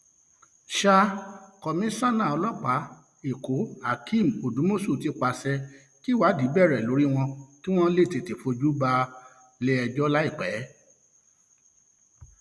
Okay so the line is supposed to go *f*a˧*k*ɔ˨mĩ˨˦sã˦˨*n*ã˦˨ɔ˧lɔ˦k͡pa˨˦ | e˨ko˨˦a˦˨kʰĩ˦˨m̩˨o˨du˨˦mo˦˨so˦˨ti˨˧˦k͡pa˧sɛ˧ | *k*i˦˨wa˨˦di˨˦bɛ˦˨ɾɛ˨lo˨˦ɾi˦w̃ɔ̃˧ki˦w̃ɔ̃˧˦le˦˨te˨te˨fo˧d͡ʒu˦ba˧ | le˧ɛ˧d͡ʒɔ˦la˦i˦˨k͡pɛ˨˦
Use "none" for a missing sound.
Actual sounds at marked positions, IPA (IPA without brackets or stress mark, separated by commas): ʃ, k, n, k